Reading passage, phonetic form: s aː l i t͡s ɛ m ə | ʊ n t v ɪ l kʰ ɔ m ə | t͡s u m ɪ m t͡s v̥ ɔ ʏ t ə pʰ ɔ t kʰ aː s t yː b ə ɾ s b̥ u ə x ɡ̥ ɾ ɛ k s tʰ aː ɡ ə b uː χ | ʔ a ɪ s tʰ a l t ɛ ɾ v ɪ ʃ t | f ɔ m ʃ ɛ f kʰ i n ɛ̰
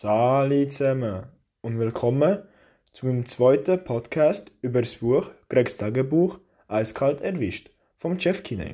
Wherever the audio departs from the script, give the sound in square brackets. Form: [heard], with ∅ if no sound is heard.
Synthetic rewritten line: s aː l i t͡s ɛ m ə | ʊ n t v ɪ l kʰ ɔ m ə | t͡s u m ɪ m t͡s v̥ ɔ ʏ t ə pʰ ɔ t kʰ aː s t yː b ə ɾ s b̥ u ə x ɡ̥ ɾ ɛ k s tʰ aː ɡ ə b uː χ | ʔ a ɪ s [kʰ] a l t ɛ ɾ v ɪ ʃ t | f ɔ m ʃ ɛ f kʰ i n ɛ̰